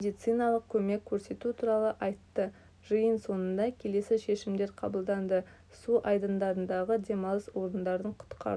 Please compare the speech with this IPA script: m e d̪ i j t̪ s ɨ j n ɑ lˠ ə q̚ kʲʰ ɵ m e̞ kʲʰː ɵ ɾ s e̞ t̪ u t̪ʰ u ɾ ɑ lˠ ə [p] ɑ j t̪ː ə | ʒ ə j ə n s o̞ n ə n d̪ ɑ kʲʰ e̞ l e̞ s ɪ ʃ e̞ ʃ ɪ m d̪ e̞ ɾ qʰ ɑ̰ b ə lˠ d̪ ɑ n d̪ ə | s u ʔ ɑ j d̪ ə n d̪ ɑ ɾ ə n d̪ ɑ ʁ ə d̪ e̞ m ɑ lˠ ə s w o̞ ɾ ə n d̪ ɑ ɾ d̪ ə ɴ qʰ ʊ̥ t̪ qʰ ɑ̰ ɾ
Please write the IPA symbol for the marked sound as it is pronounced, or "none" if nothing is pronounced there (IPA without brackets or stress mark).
ʔ